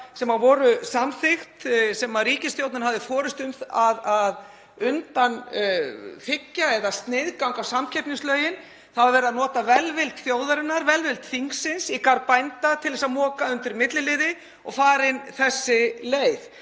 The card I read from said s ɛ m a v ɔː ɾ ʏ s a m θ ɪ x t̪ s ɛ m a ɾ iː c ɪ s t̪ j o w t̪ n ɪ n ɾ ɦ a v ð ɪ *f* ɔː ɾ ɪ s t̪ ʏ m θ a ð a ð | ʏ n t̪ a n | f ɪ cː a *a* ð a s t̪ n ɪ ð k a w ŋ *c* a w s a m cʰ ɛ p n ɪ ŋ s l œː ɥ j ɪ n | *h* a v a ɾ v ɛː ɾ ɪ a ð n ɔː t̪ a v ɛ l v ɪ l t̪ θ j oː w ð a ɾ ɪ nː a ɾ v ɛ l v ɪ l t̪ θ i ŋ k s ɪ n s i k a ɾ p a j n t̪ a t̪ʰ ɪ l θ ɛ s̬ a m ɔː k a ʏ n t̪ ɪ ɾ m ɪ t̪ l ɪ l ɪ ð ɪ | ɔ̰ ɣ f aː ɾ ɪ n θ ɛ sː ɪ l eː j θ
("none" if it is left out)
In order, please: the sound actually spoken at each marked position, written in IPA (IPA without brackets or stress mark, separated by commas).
f, ɛ, k, θ